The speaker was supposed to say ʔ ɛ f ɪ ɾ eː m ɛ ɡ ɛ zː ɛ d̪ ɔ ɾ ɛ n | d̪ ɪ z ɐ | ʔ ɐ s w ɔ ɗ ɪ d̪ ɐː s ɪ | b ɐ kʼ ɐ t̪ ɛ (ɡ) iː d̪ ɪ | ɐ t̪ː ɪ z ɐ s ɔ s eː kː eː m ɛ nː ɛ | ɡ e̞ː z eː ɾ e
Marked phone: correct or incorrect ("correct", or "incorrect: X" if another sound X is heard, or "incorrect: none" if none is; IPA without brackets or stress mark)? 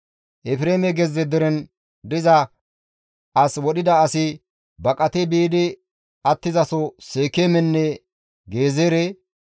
incorrect: b